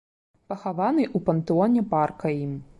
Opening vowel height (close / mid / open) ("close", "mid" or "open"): open